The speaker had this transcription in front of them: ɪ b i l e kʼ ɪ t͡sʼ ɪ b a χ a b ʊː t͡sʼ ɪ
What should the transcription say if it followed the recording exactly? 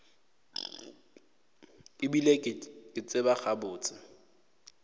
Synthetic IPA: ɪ b i l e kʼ ɪ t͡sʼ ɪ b a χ a b ʊː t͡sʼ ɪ